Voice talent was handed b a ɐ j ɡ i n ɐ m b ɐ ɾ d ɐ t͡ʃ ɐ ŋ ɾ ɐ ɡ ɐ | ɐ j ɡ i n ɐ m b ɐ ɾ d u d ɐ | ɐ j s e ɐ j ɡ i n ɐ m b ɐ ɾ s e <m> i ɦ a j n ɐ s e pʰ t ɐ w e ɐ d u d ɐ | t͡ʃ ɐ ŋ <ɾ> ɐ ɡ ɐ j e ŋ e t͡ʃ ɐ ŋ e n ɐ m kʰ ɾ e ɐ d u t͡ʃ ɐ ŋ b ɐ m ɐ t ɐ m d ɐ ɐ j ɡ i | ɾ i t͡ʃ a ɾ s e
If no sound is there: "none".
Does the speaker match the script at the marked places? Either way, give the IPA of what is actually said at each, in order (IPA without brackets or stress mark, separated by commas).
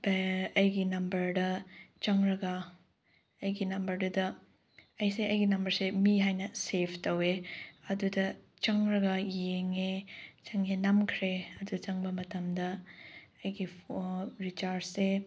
m, ɾ